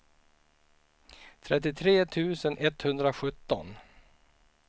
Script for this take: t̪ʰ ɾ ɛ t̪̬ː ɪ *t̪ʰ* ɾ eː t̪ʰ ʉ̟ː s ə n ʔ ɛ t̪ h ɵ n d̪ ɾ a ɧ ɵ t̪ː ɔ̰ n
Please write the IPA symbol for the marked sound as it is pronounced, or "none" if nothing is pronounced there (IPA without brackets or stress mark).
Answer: t̪ʰ